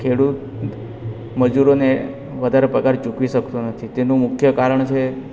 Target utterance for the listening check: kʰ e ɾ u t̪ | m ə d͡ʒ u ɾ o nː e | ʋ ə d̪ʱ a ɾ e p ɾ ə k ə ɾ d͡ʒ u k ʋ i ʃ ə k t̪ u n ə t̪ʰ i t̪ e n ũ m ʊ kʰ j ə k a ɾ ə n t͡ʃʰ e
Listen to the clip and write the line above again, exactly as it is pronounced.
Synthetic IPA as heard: kʰ e ɽ u t̪ | m ə d͡ʒ u ɾ o n e | ʋ ə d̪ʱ a ɾ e p ɾ ə k a ɾ d͡ʒ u k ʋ i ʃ ə k t̪ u n ə t̪ʰ i t̪ e n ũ m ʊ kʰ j ə k a ɾ ə ɳ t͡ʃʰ e